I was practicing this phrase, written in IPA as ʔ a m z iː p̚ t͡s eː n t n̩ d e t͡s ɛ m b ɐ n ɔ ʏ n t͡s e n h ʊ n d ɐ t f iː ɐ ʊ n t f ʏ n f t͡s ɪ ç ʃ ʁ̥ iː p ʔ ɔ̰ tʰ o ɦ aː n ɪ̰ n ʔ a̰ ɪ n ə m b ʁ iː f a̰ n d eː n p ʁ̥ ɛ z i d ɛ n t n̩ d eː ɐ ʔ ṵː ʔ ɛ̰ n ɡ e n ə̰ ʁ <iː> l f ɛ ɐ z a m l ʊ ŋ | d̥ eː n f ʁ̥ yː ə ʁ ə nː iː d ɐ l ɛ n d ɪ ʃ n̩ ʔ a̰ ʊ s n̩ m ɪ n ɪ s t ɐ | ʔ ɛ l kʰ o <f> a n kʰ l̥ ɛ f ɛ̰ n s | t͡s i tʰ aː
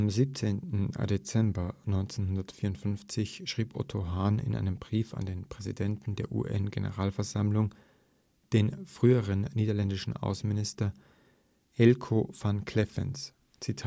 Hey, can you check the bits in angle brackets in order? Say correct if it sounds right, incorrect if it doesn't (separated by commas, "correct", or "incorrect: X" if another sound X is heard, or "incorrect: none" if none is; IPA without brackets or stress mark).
incorrect: aː, correct